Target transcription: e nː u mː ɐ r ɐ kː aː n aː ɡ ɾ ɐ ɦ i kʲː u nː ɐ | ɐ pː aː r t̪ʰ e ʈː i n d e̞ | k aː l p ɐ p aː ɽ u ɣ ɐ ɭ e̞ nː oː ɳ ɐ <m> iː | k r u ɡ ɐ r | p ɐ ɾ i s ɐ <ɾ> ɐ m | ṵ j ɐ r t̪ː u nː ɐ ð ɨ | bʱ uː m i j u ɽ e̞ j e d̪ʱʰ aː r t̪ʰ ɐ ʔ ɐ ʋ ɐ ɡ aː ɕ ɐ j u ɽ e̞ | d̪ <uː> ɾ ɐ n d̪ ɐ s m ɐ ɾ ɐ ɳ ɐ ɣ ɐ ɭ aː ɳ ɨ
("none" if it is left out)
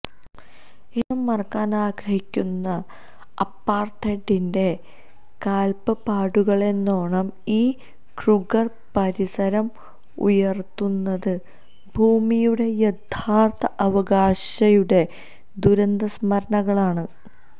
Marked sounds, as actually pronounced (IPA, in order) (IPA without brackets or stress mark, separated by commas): m, ɾ, u